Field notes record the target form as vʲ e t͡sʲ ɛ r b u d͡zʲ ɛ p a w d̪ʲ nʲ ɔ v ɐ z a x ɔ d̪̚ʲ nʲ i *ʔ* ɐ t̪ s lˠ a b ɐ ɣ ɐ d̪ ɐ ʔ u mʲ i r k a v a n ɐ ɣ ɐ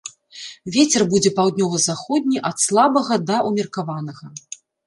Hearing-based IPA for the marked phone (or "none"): ʔ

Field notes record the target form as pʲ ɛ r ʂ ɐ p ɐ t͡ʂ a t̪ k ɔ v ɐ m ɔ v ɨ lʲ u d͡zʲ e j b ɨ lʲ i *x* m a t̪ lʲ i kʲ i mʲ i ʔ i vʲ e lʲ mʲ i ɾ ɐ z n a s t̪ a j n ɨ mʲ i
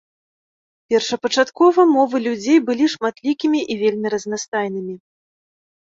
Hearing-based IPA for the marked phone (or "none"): ʂ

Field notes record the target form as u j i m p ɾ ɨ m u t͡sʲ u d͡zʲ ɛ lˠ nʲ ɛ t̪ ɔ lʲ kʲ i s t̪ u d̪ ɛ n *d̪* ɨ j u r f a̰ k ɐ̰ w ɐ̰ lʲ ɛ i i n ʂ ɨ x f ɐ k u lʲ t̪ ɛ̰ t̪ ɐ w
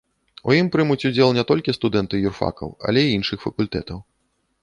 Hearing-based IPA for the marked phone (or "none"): t̪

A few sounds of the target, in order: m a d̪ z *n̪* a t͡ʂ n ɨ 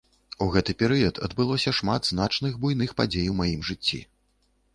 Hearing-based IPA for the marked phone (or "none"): n̪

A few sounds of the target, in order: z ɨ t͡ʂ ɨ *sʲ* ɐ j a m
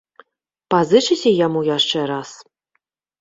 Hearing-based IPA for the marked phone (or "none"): sʲ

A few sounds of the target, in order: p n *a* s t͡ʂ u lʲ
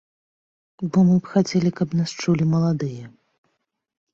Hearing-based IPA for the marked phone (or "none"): a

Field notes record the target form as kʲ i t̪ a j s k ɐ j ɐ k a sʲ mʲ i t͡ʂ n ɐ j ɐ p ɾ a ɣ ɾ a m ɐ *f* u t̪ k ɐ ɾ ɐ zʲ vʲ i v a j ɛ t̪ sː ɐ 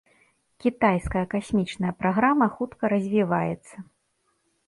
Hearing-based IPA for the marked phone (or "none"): x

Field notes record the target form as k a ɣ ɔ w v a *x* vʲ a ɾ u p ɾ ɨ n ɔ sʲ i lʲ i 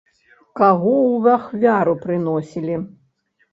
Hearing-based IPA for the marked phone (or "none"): x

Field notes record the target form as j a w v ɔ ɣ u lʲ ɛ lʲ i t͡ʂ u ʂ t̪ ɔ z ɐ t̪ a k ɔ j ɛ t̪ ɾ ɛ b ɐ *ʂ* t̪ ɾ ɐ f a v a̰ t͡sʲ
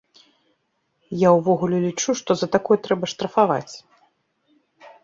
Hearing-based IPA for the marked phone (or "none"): ʂ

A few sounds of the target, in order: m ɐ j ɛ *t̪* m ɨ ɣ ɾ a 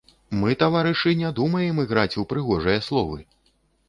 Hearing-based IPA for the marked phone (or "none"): none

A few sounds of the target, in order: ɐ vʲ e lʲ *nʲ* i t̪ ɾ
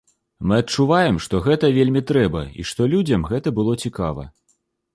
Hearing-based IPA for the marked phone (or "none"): mʲ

